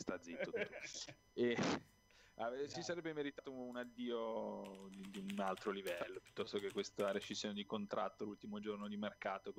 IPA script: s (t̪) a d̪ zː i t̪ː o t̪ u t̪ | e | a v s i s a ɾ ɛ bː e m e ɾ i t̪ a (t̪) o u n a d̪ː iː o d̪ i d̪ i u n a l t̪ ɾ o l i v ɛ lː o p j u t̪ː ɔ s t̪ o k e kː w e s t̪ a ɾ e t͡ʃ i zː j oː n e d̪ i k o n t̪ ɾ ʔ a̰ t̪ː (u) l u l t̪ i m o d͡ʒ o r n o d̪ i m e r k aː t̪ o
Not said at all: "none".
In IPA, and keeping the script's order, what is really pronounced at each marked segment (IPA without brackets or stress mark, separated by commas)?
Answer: t̪, t̪, o